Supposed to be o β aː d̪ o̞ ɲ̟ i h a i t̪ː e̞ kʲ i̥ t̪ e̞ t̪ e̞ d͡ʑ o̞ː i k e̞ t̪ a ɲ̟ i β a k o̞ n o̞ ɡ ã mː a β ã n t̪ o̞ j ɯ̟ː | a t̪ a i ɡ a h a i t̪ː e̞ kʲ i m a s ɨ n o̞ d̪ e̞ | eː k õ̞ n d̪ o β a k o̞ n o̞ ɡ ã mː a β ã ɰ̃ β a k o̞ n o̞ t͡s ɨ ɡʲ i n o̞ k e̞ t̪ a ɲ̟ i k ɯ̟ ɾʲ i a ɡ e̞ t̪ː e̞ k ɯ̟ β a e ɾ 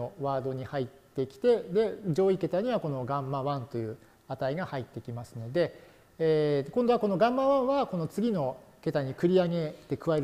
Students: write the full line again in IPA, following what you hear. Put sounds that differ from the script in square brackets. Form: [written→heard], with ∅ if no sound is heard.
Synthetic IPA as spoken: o β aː d̪ o̞ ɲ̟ i h a i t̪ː e̞ kʲ i̥ t̪ e̞ [t̪→d̪] e̞ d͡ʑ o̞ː i k e̞ t̪ a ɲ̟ i β a k o̞ n o̞ ɡ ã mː a β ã n t̪ o̞ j ɯ̟ː | a t̪ a i ɡ a h a i t̪ː e̞ kʲ i m a s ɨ n o̞ d̪ e̞ | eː k õ̞ n d̪ o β a k o̞ n o̞ ɡ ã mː a β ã ɰ̃ β a k o̞ n o̞ t͡s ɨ ɡʲ i n o̞ k e̞ t̪ a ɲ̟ i k ɯ̟ ɾʲ i a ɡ e̞ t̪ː e̞ k ɯ̟ β a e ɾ